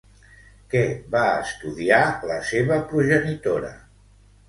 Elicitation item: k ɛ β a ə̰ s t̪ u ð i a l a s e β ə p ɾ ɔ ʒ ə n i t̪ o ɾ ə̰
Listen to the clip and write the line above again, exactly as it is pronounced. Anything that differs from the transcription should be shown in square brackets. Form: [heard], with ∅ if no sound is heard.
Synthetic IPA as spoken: k ɛ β a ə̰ s t̪ u ð i a l [ə] s e β ə p ɾ [u] ʒ ə n i t̪ o ɾ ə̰